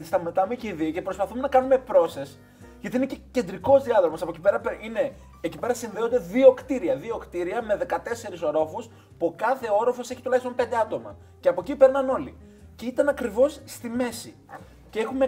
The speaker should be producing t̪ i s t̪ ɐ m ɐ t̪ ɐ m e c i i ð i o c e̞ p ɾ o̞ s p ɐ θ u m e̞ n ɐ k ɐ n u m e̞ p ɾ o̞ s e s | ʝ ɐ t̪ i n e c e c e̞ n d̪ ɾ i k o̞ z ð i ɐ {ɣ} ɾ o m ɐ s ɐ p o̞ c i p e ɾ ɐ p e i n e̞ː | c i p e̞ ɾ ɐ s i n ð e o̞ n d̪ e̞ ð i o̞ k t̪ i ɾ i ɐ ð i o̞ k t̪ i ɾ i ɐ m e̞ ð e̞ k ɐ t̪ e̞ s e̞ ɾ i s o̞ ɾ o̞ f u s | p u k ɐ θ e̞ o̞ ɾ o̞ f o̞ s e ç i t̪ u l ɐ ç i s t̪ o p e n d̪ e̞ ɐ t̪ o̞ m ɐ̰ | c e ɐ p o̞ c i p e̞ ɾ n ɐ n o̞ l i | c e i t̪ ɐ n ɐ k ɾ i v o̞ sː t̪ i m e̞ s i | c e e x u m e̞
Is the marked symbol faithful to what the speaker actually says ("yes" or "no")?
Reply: no